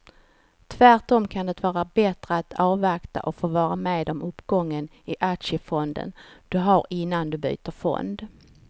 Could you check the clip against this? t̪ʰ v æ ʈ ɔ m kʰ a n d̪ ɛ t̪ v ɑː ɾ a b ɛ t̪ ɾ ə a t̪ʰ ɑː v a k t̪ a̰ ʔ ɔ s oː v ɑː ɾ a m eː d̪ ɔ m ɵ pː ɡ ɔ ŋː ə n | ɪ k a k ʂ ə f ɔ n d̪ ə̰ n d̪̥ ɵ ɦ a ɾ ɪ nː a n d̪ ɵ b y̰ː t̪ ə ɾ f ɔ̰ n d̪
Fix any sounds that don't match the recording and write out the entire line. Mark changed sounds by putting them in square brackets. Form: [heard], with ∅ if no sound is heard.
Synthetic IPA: t̪ʰ v æ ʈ ɔ m kʰ a n d̪ ɛ t̪ v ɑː ɾ a b ɛ t̪ ɾ ə a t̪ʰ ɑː v a k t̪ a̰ ʔ ɔ [f] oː v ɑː ɾ a m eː d̪ ɔ m ɵ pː ɡ ɔ ŋː ə n | ɪ [ʔ] a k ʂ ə f ɔ n d̪ ə̰ n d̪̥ ɵ ɦ a ɾ ɪ nː a n d̪ ɵ b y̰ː t̪ ə ɾ f ɔ̰ n d̪